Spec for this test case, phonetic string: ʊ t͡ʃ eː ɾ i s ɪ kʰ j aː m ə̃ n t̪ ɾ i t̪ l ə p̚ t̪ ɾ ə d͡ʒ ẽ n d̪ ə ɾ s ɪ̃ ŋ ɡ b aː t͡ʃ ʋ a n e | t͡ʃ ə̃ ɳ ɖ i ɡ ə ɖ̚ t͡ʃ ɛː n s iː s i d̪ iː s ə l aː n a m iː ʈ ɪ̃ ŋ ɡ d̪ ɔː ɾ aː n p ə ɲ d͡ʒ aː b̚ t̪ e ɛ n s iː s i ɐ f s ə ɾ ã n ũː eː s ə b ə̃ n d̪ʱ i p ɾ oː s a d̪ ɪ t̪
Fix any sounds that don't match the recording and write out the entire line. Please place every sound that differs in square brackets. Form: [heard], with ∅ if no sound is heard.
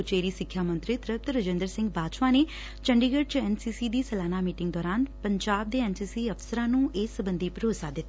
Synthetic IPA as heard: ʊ t͡ʃ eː ɾ i s ɪ kʰ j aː m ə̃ n t̪ ɾ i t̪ [ɾ] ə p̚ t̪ ɾ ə d͡ʒ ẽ n d̪ ə ɾ s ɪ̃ ŋ ɡ b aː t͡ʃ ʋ a n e | t͡ʃ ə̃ ɳ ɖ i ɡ ə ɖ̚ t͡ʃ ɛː n s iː s i d̪ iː s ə l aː n a m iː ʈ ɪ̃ ŋ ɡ d̪ ɔː ɾ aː n p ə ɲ d͡ʒ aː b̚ [d̪] e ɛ n s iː s i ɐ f s ə ɾ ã n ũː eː s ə b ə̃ n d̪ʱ i p ɾ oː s a d̪ ɪ t̪